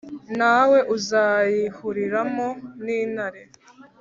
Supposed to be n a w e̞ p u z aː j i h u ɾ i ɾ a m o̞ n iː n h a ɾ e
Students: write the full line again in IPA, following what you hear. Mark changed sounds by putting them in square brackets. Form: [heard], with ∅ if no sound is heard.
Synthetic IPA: n a w e̞ [ʔ] u z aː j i h u ɾ i ɾ a m o̞ n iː n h a ɾ e